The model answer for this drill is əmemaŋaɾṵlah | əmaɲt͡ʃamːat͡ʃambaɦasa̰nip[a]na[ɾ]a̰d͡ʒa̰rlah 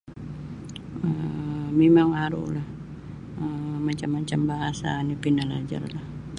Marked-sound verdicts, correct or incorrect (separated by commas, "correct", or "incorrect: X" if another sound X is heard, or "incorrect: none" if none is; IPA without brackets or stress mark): incorrect: i, incorrect: l